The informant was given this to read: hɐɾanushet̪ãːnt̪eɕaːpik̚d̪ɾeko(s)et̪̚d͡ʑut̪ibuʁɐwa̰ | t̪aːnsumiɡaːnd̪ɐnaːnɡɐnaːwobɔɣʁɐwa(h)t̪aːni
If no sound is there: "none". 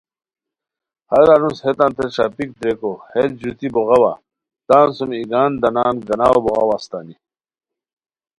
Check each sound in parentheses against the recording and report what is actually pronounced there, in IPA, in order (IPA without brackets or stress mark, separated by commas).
h, s